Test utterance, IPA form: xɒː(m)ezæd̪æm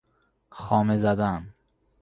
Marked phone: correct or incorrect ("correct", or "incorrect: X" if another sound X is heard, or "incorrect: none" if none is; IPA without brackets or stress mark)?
correct